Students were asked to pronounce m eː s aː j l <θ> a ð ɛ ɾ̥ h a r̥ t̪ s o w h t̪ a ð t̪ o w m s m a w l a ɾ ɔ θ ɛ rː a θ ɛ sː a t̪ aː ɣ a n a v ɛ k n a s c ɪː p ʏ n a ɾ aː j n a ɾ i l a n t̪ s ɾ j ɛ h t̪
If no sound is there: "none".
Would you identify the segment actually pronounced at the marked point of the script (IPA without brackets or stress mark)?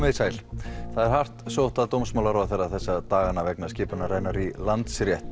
θ